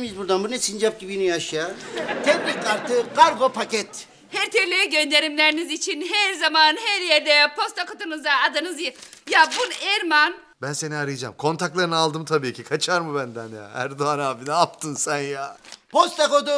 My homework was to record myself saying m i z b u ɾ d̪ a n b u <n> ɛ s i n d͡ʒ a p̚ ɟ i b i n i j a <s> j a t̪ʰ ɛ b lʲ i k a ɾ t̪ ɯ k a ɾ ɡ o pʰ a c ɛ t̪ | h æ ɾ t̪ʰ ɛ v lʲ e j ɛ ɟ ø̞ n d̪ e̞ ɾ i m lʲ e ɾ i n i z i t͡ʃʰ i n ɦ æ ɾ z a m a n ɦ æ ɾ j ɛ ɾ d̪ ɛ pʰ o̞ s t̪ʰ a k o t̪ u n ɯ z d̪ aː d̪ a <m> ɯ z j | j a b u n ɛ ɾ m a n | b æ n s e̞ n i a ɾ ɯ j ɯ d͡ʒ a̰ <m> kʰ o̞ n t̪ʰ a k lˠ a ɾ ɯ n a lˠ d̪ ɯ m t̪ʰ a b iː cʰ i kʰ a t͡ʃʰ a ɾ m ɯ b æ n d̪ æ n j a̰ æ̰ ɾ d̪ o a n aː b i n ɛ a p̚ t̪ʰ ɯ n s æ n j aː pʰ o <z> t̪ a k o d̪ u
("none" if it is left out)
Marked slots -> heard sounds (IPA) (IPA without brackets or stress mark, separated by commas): n, ʃ, n, m, s